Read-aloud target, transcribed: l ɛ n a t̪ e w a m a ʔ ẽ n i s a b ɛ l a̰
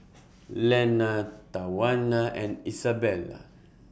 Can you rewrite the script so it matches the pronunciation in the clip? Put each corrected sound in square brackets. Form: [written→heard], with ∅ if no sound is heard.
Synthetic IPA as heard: l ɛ n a t̪ [e→a] w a [m→n] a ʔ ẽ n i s a b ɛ l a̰